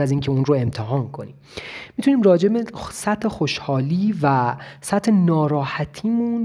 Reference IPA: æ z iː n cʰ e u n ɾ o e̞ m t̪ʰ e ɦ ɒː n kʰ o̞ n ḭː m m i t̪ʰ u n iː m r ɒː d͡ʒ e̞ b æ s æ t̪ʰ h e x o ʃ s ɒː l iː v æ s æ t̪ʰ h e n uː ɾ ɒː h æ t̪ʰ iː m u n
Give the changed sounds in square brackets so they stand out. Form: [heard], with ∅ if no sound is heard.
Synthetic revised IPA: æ z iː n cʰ e u n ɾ o e̞ m t̪ʰ e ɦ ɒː n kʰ o̞ n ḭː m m i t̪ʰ u n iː m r ɒː d͡ʒ e̞ b [e] s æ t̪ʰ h e x o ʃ [h] ɒː l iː v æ s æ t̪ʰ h e n [ɒː] ɾ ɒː h æ t̪ʰ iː m u n